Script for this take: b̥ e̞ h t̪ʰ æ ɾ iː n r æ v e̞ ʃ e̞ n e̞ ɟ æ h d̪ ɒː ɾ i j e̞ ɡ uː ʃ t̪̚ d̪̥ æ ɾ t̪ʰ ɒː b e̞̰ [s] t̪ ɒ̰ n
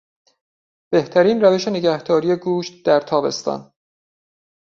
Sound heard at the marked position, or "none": s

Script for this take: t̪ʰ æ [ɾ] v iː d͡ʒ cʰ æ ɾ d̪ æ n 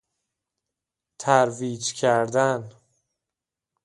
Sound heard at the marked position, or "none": ɾ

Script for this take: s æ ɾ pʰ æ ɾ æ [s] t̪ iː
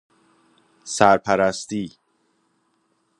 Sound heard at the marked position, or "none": s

